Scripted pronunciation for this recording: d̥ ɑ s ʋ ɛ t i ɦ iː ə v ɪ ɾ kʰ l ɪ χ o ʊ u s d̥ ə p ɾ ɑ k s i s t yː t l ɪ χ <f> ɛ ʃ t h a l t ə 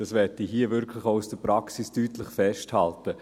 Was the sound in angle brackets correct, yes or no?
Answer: yes